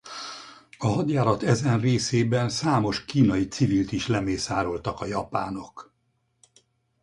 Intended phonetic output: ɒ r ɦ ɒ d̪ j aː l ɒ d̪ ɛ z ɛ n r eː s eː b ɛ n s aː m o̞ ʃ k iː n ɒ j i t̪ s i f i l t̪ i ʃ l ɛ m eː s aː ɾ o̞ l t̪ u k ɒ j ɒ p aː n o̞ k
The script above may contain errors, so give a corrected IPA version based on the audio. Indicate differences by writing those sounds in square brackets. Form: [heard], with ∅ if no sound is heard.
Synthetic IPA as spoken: ɒ [∅] ɦ ɒ d̪ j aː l ɒ [t̪] ɛ z ɛ n r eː s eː b ɛ n s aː m o̞ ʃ k iː n ɒ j i t̪ s i [v] i l t̪ i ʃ l ɛ m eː s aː ɾ o̞ l t̪ [ɒ] k ɒ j ɒ p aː n o̞ k